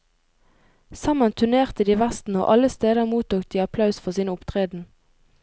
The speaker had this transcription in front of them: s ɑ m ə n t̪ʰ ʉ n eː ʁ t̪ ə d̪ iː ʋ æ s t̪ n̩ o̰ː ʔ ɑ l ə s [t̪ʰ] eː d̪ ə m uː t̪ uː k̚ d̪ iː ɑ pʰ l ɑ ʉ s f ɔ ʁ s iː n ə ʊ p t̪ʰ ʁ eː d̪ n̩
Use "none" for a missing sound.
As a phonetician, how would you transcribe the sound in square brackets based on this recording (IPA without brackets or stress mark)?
t̪